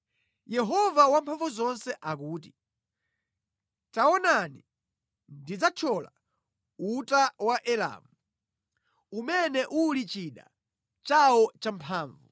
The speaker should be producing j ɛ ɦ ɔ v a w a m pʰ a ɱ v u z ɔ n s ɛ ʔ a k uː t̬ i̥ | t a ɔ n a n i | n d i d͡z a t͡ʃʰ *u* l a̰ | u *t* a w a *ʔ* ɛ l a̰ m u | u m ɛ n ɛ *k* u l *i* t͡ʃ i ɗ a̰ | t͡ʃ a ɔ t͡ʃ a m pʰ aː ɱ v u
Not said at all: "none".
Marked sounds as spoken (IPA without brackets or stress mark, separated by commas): ɔ, t, ʔ, ʔ, i